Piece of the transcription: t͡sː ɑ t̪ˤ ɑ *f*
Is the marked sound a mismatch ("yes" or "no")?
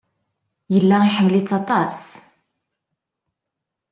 yes